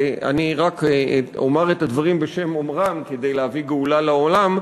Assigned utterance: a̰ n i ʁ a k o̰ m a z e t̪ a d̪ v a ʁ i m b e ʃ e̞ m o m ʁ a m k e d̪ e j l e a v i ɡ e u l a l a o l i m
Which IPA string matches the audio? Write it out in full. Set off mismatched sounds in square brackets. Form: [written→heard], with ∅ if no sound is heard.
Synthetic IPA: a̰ n i ʁ a k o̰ m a [z→ʁ] e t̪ a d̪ v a ʁ i m b e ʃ e̞ m o m ʁ a m k e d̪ e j l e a v i ɡ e u l a l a o l [i→a] m